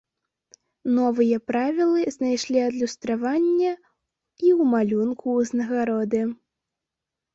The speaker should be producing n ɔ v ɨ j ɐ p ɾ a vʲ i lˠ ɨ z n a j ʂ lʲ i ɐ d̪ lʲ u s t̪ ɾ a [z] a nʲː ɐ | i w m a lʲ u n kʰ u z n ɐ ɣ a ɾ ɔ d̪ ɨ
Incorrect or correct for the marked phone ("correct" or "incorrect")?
incorrect